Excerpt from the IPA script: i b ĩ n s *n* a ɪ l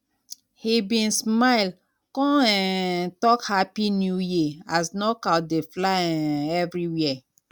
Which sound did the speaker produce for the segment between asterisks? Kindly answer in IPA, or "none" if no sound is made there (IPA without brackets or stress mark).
m